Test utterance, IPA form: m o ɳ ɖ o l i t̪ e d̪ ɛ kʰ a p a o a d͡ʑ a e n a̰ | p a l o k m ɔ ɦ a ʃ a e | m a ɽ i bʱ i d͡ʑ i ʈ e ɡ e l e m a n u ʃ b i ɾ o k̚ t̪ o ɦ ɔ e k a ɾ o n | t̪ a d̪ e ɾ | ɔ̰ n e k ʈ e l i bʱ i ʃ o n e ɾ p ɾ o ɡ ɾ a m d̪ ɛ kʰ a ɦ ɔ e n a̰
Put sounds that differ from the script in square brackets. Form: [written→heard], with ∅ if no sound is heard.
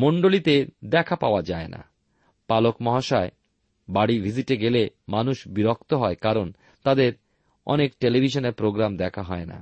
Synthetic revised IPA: m o ɳ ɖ o l i t̪ e d̪ ɛ kʰ a p a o a d͡ʑ a e n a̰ | p a l o k m ɔ ɦ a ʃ a e | [m→b] a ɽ i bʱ i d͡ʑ i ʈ e ɡ e l e m a n u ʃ b i ɾ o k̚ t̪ o ɦ ɔ e k a ɾ o n | t̪ a d̪ e ɾ | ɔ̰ n e k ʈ e l i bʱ i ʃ o n e ɾ p ɾ o ɡ ɾ a m d̪ ɛ kʰ a ɦ ɔ e n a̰